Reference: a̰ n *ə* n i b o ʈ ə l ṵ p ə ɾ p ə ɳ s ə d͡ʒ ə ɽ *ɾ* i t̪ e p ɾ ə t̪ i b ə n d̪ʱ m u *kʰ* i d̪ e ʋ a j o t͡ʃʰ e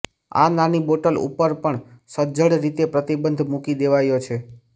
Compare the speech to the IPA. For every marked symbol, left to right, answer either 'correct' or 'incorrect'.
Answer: incorrect, correct, incorrect

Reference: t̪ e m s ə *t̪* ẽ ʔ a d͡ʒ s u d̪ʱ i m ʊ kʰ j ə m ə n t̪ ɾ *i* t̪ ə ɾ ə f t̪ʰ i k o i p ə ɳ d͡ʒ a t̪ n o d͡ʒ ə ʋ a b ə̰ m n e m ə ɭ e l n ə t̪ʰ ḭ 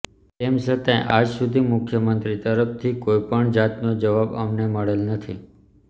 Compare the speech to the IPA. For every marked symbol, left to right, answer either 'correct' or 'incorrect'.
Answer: correct, correct

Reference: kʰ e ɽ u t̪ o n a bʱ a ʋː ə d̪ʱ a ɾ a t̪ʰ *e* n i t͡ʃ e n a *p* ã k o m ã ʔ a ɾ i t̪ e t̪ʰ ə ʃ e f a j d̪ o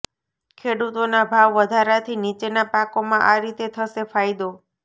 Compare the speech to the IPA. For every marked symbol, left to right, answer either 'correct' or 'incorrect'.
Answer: incorrect, correct

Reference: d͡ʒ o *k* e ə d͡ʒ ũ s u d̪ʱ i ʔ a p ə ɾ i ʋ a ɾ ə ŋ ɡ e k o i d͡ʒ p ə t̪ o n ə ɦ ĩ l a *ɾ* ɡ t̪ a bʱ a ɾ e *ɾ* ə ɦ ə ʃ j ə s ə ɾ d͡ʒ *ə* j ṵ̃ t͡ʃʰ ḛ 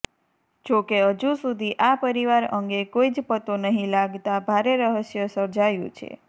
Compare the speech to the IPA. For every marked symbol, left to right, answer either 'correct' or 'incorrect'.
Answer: correct, incorrect, correct, incorrect

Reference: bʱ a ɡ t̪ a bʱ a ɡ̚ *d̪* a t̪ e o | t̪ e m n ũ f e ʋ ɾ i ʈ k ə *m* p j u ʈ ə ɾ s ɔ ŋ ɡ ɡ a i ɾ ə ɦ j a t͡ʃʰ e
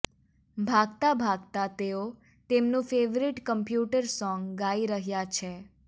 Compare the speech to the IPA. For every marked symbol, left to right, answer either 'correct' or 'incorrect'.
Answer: incorrect, correct

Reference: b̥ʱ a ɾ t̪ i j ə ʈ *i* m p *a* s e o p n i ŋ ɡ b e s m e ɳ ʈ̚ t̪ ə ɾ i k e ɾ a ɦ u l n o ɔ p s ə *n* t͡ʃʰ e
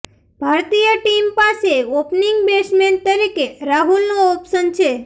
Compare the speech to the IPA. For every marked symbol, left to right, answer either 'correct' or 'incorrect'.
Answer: correct, correct, correct

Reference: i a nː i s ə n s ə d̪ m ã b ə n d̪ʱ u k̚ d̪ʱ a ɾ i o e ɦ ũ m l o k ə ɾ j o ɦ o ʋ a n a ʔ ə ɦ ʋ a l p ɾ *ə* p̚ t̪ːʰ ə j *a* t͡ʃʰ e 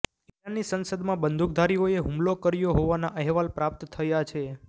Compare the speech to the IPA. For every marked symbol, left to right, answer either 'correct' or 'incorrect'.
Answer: incorrect, correct

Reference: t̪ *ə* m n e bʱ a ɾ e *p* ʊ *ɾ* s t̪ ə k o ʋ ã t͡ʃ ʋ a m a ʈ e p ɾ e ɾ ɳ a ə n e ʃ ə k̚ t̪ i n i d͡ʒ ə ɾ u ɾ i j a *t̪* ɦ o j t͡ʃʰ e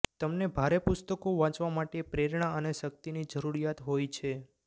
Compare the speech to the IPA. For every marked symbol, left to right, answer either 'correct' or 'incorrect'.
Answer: correct, correct, incorrect, correct

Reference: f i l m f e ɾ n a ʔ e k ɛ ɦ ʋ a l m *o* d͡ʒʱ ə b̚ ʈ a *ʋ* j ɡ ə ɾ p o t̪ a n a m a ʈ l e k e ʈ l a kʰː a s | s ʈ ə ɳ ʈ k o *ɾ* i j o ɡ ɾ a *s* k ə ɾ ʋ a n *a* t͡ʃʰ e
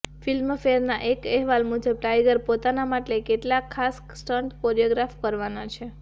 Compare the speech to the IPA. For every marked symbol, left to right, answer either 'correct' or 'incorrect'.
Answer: incorrect, incorrect, correct, incorrect, correct

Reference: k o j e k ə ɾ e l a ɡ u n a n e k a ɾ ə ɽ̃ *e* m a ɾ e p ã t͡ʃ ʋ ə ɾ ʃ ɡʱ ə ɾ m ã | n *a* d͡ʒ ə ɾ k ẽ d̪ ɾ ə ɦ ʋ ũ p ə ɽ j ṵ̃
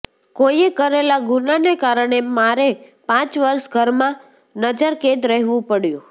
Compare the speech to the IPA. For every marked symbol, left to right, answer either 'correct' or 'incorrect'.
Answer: correct, incorrect

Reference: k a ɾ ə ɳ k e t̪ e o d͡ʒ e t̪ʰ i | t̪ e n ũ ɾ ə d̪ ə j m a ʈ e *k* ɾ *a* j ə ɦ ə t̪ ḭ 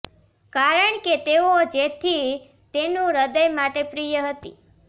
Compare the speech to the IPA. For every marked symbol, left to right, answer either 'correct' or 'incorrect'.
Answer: incorrect, incorrect

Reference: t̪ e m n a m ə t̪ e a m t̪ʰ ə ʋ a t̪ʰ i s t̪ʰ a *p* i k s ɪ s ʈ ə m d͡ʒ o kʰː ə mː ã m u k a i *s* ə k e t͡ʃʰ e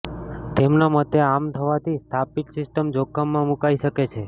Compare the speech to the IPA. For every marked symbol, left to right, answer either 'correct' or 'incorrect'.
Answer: correct, incorrect

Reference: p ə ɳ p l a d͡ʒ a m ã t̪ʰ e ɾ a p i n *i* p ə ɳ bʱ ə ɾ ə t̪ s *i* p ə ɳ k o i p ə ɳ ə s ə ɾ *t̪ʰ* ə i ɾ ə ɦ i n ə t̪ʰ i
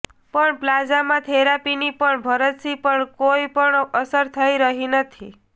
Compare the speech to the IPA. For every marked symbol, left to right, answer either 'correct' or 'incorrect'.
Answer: correct, correct, correct

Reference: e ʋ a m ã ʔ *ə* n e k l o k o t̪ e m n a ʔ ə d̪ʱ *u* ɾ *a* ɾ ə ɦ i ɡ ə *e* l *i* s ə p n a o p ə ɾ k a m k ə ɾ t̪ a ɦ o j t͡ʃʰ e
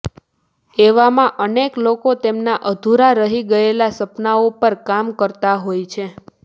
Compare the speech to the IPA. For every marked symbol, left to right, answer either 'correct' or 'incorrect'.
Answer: correct, correct, correct, correct, incorrect

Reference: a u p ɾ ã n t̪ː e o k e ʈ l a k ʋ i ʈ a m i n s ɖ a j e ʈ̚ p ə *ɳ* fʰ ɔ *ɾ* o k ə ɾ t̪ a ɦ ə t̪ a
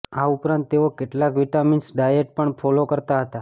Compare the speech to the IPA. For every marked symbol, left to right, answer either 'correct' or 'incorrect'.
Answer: correct, incorrect

